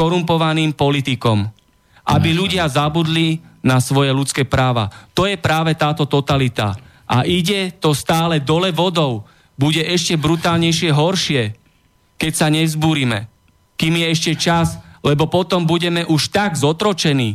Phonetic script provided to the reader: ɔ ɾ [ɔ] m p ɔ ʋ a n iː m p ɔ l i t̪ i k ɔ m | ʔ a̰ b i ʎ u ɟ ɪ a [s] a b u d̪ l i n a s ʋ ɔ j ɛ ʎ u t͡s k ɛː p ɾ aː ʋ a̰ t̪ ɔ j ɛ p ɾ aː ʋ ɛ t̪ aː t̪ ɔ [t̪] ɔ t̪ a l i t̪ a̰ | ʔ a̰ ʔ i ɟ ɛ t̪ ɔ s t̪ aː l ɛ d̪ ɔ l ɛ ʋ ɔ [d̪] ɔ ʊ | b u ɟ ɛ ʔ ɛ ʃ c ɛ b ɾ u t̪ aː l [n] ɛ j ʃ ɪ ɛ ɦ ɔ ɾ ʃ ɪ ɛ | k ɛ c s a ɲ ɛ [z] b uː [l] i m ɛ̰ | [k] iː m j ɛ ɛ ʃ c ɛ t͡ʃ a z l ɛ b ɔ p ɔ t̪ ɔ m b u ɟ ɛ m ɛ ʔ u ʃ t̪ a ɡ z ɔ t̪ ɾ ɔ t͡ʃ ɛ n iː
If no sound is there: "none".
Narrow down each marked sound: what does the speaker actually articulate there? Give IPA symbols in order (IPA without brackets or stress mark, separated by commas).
u, z, t̪, d̪, ɲ, z, ɾ, k